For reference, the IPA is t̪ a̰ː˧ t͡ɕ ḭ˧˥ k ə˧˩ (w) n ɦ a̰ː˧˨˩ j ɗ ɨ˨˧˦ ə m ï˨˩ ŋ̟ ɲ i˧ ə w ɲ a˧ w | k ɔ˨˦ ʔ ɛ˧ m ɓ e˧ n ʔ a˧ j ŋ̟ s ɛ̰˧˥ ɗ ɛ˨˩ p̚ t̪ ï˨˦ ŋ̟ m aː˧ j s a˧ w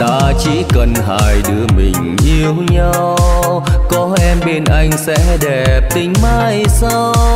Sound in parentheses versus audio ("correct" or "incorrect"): incorrect